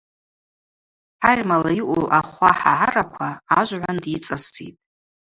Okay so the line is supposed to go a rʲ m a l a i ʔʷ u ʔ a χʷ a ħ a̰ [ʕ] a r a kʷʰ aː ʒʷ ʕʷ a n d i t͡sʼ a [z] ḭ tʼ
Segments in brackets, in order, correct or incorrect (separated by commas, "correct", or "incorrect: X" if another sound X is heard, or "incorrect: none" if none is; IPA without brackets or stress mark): correct, incorrect: s